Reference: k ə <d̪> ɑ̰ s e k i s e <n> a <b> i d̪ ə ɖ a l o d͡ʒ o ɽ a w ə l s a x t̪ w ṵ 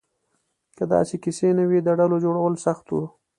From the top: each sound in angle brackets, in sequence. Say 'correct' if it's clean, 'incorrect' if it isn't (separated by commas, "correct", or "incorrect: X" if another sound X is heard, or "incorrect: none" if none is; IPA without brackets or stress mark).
correct, correct, incorrect: w